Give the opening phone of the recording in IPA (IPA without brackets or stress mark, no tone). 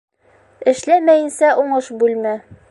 ɘ̆